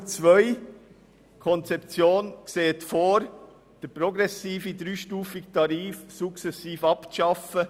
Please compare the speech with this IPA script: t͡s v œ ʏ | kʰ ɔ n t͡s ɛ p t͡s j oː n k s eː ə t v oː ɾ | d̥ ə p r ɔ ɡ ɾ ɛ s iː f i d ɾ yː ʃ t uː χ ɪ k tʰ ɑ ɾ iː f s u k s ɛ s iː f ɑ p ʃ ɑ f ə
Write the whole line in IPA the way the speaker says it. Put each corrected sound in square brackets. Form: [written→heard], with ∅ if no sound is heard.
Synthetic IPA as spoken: t͡s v œ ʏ | kʰ ɔ n t͡s ɛ p t͡s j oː n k s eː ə t [v→f] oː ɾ | d̥ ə p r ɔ ɡ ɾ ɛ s iː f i d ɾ yː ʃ t uː [χ→f] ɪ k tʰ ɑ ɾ iː f s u k s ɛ s iː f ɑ p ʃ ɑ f ə